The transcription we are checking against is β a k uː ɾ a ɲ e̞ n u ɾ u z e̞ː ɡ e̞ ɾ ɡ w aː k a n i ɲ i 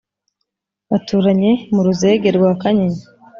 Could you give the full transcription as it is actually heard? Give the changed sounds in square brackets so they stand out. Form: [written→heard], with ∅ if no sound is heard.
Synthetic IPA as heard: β a [k→t] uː ɾ a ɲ e̞ [n→m] u ɾ u z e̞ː ɡ e̞ ɾ ɡ w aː k a [n→ɲ] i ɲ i